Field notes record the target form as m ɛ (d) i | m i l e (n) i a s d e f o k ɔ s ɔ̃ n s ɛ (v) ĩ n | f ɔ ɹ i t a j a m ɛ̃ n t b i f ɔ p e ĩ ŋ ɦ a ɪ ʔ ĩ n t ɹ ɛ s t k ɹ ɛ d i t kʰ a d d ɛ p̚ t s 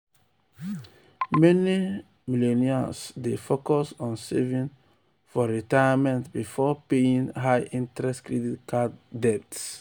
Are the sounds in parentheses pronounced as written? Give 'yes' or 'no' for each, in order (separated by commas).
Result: no, yes, yes